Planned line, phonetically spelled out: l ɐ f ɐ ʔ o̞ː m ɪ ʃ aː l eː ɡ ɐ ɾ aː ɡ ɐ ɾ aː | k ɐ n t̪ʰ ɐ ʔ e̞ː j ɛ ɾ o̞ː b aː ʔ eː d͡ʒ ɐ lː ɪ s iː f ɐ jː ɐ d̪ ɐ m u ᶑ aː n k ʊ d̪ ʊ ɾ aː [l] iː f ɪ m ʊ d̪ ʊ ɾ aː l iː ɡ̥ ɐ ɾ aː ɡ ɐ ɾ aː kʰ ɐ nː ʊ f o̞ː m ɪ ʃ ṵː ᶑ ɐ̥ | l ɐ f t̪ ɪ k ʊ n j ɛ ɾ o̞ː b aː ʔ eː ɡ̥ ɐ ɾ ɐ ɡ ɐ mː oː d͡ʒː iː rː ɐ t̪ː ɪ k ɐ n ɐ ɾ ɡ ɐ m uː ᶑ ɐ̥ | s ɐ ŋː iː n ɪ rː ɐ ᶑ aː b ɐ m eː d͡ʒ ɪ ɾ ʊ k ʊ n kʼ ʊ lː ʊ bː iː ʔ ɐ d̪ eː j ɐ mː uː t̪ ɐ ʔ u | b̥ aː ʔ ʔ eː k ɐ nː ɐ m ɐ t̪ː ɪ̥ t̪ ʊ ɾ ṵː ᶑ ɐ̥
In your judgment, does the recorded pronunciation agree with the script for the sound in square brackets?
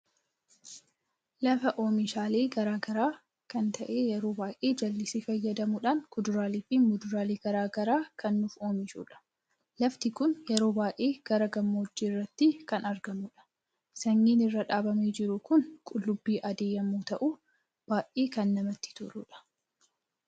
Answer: yes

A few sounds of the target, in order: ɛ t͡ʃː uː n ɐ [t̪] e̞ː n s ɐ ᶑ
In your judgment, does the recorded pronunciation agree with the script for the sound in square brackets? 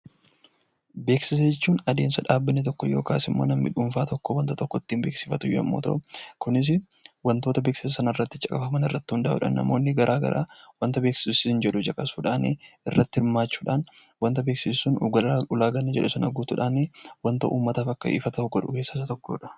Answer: no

